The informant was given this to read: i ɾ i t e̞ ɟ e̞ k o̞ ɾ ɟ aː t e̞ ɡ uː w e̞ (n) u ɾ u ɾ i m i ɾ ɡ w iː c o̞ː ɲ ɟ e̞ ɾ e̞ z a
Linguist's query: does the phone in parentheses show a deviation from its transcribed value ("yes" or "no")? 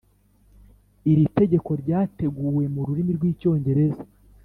yes